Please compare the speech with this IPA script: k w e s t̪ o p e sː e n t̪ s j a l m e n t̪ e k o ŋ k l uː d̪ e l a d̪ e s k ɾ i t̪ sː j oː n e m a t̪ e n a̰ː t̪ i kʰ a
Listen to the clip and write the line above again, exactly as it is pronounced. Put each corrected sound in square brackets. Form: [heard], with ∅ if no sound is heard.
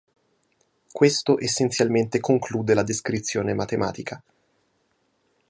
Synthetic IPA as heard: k w e s t̪ o [ʔ] e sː e n t̪ s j a l m e n t̪ e k o ŋ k l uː d̪ e l a d̪ e s k ɾ i t̪ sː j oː n e m a t̪ e [m] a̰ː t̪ i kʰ a